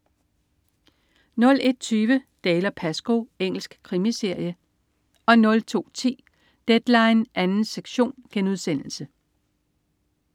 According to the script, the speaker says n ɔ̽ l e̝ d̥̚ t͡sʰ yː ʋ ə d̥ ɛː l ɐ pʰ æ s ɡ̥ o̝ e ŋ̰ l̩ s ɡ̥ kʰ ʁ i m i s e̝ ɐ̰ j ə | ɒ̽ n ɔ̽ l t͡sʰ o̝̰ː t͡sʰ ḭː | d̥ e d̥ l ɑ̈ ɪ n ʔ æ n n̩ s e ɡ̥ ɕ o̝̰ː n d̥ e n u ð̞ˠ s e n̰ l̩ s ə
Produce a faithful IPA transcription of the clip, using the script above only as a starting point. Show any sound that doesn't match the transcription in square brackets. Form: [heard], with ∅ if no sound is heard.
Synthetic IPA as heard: n ɔ̽ l e̝ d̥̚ t͡sʰ yː ʋ ə d̥ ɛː l ɐ pʰ æ s ɡ̥ o̝ e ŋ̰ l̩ s ɡ̥ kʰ ʁ i m i s e̝ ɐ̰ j ə | ɒ̽ n ɔ̽ l t͡sʰ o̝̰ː t͡sʰ ḭː | d̥ e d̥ l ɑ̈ ɪ n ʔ æ n n̩ s e ɡ̥ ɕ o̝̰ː n [ɡ̥] e n u ð̞ˠ s e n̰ l̩ s ə